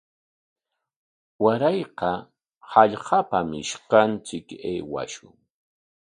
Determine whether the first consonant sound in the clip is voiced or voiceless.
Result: voiced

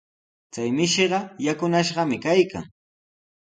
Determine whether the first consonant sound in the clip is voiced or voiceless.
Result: voiceless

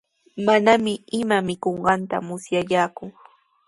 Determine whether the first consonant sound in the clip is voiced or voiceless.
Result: voiced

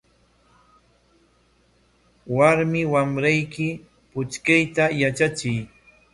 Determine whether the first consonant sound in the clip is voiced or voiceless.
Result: voiced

